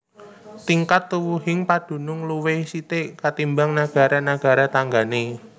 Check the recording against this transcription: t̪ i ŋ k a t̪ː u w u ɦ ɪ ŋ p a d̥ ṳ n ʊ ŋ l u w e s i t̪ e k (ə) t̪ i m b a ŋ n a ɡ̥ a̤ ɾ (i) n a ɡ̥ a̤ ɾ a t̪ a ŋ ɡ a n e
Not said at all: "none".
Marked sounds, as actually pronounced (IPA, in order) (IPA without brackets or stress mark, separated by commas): a, a